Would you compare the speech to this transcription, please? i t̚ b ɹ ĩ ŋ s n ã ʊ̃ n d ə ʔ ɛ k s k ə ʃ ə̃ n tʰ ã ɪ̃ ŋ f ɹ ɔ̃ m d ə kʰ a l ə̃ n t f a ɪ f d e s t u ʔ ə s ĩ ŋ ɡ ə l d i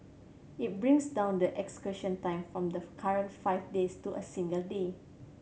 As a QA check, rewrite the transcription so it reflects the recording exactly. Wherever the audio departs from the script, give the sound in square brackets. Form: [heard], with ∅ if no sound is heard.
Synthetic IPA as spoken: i t̚ b ɹ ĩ ŋ s [d] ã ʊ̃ n d ə ʔ ɛ k s k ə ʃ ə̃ n [t] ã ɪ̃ [m] f ɹ ɔ̃ m d ə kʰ a [ɹ] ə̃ n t f a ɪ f d e s t u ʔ ə s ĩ ŋ ɡ ə l d [e]